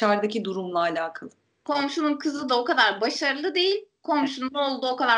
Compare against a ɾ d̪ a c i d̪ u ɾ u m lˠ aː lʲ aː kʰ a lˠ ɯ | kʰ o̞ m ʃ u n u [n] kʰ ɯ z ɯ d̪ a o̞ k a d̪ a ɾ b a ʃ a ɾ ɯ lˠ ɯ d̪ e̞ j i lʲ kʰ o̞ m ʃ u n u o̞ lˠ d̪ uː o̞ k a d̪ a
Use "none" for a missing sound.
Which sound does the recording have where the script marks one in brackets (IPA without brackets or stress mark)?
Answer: n